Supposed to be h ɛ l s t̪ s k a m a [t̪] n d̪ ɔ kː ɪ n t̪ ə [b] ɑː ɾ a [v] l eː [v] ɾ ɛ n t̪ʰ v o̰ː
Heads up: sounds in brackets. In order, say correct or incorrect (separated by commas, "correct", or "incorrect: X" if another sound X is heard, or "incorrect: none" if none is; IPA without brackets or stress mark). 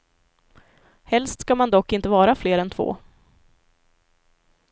incorrect: none, incorrect: v, incorrect: f, incorrect: none